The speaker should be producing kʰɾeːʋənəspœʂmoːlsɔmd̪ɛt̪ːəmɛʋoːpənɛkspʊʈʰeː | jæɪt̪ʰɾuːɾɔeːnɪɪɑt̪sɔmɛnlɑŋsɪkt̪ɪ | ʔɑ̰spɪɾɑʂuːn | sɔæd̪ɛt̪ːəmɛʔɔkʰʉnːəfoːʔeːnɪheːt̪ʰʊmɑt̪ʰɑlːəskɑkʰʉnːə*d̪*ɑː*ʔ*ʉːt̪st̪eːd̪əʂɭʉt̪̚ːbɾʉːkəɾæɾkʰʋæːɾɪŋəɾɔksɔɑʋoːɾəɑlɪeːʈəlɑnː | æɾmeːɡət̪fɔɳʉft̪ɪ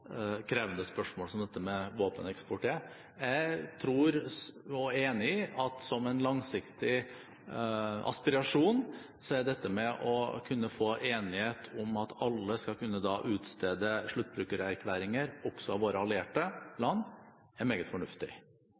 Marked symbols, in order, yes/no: yes, yes

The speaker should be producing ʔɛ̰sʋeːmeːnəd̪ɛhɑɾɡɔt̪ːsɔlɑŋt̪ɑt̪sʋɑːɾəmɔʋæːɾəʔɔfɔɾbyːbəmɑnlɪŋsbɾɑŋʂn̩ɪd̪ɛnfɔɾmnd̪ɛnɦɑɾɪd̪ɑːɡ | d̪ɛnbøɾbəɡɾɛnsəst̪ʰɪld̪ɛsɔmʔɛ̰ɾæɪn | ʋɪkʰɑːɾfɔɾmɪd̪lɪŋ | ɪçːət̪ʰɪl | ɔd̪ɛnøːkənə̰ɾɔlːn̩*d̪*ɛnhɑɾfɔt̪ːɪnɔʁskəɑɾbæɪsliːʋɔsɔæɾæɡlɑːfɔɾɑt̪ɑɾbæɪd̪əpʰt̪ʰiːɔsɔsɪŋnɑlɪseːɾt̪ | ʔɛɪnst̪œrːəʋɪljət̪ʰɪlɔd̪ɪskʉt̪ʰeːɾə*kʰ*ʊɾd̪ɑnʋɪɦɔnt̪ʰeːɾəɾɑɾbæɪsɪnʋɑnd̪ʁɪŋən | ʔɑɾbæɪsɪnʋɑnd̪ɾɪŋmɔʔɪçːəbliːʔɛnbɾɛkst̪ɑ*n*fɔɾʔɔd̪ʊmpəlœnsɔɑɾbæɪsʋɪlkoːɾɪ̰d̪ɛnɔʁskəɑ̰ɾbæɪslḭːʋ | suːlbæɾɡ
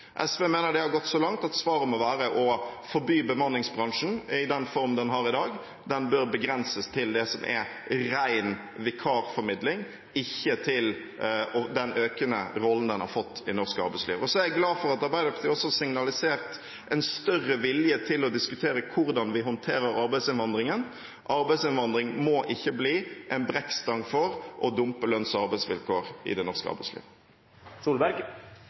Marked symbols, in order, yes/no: yes, yes, no

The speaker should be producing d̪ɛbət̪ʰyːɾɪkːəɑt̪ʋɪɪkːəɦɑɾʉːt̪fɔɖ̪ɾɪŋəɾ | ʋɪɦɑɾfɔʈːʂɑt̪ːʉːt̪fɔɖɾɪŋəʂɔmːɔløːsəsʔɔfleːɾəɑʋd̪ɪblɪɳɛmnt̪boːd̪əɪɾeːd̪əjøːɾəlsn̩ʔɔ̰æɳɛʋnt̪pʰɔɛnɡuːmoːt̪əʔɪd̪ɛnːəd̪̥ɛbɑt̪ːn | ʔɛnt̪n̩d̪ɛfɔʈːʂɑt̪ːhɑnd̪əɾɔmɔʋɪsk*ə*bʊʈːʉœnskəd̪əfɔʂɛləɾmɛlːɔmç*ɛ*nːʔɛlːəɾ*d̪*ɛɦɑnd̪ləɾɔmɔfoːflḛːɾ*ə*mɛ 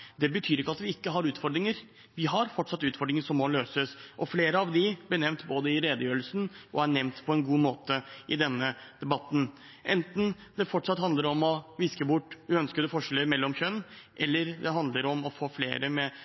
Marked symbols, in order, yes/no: yes, no, yes, yes

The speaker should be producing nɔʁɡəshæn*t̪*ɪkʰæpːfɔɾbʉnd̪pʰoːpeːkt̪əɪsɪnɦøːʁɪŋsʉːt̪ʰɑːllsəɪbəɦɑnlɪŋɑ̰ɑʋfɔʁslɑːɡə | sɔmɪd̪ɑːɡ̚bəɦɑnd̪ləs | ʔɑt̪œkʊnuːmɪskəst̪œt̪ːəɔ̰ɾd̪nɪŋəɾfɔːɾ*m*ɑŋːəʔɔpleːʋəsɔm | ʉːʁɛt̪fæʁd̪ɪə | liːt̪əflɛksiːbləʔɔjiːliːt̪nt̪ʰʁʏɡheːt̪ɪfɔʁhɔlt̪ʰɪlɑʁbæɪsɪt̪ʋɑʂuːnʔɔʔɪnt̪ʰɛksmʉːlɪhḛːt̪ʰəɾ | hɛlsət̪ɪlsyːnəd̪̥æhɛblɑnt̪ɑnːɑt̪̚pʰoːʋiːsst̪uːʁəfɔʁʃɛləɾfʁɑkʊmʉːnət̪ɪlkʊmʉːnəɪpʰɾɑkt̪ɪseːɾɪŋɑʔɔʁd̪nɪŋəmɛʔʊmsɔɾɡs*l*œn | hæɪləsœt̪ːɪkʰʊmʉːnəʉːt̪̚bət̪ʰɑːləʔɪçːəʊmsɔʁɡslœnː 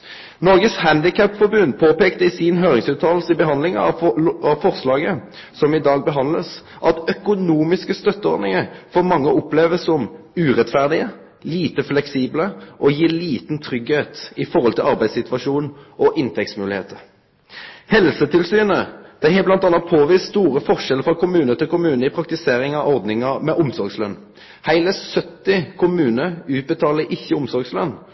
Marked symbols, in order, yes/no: no, yes, yes

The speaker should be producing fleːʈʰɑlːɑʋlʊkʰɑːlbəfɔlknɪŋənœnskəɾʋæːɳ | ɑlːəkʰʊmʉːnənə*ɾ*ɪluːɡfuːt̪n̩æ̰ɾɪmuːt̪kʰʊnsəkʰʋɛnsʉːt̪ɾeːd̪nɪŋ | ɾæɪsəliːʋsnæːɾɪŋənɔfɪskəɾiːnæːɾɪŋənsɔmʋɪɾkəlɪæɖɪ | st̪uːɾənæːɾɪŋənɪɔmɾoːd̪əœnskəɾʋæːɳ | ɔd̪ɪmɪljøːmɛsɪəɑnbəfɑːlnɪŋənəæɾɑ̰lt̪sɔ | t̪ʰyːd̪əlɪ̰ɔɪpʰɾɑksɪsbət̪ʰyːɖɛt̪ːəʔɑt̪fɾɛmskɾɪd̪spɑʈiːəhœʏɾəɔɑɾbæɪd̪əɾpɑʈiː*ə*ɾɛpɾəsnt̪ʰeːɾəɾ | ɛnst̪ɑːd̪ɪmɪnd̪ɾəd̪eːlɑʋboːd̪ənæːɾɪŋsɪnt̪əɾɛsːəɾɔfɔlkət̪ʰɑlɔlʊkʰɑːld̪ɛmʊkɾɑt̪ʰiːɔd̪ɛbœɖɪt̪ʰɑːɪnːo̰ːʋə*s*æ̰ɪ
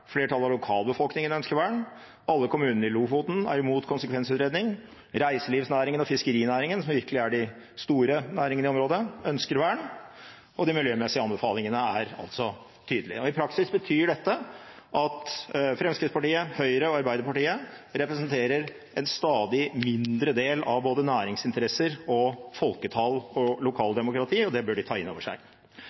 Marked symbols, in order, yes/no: yes, yes, no

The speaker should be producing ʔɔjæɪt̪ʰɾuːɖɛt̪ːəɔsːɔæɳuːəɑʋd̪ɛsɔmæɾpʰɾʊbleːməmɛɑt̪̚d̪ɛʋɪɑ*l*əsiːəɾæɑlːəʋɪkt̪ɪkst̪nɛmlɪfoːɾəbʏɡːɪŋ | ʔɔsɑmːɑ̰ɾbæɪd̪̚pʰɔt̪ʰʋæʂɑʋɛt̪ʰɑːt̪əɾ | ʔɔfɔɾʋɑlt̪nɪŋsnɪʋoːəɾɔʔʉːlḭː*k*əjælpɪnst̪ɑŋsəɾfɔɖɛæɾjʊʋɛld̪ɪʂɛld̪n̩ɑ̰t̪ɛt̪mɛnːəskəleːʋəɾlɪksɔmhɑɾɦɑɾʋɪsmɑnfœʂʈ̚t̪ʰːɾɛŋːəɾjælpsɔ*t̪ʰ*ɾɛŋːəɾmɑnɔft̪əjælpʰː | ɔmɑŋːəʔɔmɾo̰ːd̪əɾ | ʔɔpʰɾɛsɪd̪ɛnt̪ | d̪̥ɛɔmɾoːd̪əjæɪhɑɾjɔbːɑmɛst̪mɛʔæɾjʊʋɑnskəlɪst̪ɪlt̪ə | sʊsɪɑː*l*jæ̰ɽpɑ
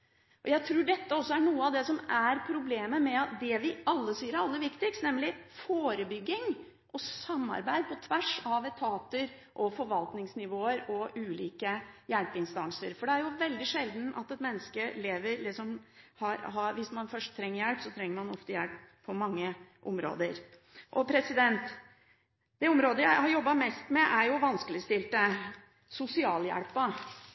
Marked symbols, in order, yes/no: no, yes, yes, yes

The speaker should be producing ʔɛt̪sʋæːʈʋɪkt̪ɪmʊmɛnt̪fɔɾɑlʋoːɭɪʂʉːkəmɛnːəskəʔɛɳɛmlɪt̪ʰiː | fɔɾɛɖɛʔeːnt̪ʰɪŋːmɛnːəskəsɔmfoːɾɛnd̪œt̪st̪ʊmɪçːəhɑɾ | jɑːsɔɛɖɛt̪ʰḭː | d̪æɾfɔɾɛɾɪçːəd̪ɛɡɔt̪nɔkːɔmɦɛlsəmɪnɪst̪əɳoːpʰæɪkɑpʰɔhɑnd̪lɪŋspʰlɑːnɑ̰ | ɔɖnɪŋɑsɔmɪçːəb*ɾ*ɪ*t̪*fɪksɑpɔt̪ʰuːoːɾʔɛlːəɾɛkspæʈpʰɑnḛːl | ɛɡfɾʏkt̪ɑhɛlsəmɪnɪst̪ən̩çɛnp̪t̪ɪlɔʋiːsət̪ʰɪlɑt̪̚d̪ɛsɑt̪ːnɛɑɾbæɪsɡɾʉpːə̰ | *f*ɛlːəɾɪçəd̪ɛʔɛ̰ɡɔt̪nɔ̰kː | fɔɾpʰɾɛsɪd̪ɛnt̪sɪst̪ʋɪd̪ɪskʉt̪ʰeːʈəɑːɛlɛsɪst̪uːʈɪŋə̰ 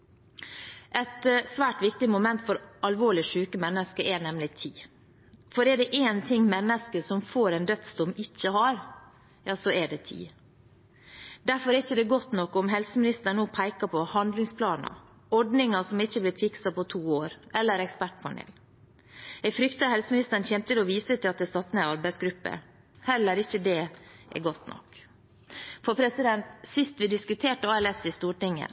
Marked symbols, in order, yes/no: no, yes, no

